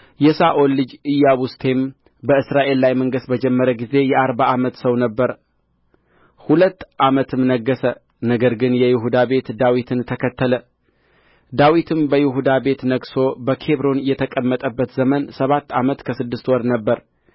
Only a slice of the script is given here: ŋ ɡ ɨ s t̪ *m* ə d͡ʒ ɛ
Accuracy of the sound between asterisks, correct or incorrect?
incorrect